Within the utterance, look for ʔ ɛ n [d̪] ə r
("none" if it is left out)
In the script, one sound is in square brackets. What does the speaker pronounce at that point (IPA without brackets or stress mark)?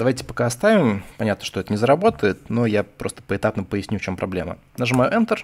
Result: t̪